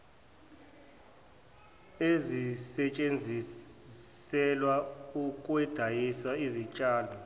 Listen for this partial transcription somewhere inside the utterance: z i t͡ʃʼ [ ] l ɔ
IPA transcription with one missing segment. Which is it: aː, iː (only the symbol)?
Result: aː